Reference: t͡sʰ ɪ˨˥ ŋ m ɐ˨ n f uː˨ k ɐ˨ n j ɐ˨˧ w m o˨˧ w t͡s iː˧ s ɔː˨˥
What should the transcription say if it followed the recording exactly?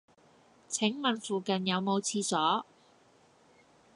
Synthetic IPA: t͡sʰ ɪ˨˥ ŋ m ɐ˨ n f uː˨ k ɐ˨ n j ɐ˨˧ w m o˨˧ w t͡sʰ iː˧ s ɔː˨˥